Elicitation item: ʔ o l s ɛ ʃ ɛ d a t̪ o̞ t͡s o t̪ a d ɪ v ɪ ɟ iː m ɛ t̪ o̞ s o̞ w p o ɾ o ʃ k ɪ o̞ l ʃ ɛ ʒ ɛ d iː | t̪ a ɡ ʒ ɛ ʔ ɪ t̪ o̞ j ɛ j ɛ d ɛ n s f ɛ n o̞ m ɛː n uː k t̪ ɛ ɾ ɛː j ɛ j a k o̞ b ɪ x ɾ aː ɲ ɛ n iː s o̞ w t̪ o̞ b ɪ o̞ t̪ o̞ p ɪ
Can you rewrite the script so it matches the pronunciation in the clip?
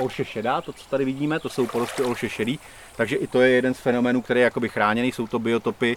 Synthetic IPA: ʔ o l ʃ ɛ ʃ ɛ d a t̪ o̞ t͡s o t̪ a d ɪ v ɪ ɟ iː m ɛ t̪ o̞ s o̞ w p o ɾ o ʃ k ɪ o̞ l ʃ ɛ ʃ ɛ d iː | t̪ a ɡ ʒ ɛ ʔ ɪ t̪ o̞ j ɛ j ɛ d ɛ n s f ɛ n o̞ m ɛː n uː k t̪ ɛ ɾ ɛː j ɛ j a k o̞ b ɪ x ɾ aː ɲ ɛ n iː s o̞ w t̪ o̞ b ɪ o̞ t̪ o̞ p ɪ